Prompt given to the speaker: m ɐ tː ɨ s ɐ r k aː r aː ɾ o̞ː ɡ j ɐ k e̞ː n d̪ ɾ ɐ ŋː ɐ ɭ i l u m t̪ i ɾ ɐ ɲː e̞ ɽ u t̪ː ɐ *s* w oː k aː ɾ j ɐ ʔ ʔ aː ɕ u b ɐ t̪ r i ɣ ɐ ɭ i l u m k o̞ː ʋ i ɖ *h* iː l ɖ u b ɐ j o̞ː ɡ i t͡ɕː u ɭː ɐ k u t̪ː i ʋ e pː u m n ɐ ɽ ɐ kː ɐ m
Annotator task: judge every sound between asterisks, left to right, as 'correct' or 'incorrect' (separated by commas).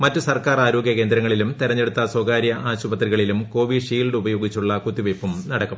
correct, incorrect